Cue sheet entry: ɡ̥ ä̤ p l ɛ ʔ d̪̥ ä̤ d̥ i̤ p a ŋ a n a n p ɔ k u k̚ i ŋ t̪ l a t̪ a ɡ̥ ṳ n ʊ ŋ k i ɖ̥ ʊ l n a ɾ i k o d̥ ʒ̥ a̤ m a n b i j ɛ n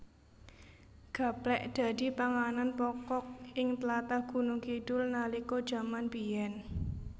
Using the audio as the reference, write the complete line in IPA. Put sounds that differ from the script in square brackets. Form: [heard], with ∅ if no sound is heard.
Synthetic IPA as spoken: ɡ̥ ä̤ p l ɛ ʔ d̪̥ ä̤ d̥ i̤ p a ŋ a n a n p ɔ k [ɔ] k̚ [ɪ] ŋ t̪ l a t̪ a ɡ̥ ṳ n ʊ ŋ k i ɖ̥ ʊ l n a [l] i k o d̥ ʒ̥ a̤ m a n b i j ɛ n